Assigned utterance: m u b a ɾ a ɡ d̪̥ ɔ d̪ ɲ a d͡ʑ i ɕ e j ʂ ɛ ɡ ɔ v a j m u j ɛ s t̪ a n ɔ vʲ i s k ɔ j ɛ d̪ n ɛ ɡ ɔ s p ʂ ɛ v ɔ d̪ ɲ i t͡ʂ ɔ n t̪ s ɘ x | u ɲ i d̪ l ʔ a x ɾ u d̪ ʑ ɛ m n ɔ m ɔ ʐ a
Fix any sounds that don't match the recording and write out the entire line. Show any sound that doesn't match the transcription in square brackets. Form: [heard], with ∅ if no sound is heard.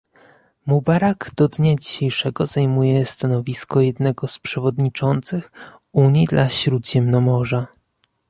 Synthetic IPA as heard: m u b a ɾ a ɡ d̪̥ ɔ d̪ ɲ a d͡ʑ i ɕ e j ʂ ɛ ɡ ɔ [z] a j m u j ɛ s t̪ a n ɔ vʲ i s k ɔ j ɛ d̪ n ɛ ɡ ɔ s p ʂ ɛ v ɔ d̪ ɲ i t͡ʂ ɔ n t̪ s ɘ x | u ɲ i d̪ l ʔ a [ɕ] ɾ u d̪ ʑ ɛ m n ɔ m ɔ ʐ a